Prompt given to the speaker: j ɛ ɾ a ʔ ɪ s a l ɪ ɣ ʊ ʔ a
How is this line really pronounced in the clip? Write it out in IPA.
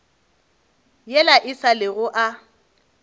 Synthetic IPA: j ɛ l a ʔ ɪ s a l ɪ ɣ ʊ ʔ a